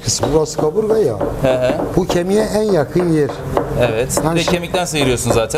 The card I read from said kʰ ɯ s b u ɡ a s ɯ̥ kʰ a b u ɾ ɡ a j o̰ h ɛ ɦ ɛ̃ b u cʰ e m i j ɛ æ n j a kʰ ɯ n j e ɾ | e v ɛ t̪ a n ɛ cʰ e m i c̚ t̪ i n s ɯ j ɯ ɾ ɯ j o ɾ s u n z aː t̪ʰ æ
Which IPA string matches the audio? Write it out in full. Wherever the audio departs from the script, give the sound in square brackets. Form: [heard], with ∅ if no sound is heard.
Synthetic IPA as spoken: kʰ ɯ s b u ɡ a s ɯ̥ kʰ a b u ɾ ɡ a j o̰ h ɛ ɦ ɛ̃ b u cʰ e m i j ɛ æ n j a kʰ ɯ n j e ɾ | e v ɛ t̪ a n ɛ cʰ e m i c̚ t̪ [æ] n s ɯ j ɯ ɾ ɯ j o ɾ s u n z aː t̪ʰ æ